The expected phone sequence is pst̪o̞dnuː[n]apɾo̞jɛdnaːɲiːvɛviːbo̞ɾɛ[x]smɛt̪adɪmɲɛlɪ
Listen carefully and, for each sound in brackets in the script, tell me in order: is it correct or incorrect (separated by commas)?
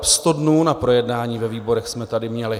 correct, correct